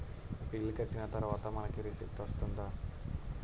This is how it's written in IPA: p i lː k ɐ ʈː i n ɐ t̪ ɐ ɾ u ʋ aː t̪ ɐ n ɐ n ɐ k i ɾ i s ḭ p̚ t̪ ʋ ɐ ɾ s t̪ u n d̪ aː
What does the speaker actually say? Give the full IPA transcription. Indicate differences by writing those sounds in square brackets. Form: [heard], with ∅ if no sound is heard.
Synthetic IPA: p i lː k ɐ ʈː i n ɐ t̪ ɐ ɾ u ʋ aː t̪ ɐ [m] ɐ n ɐ k i ɾ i s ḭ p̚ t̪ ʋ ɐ [∅] s t̪ u n d̪ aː